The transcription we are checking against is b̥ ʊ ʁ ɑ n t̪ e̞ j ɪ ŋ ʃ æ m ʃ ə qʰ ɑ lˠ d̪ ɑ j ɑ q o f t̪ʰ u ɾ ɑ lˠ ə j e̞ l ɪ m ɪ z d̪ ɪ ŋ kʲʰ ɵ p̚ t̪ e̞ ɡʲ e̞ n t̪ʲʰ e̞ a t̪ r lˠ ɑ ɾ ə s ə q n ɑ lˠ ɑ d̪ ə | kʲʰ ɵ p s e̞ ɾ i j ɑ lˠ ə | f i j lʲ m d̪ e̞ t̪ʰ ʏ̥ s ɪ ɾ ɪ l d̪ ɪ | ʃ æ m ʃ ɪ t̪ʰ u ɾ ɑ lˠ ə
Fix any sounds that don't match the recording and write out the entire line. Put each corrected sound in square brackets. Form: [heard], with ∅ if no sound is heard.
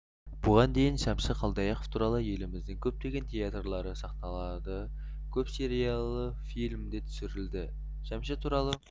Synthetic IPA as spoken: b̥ ʊ ʁ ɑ n [d̪] e̞ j ɪ [n] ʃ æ m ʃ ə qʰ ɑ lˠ d̪ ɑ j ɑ q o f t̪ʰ u ɾ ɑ lˠ ə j e̞ l ɪ m ɪ z d̪ ɪ ŋ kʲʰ ɵ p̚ t̪ e̞ ɡʲ e̞ n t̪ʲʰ e̞ a t̪ r lˠ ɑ ɾ ə s [ɑ] q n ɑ lˠ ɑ d̪ ə | kʲʰ ɵ p s e̞ ɾ i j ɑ lˠ ə | f i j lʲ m d̪ e̞ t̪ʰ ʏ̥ s ɪ ɾ ɪ l d̪ ɪ | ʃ æ m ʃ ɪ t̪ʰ u ɾ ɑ lˠ ə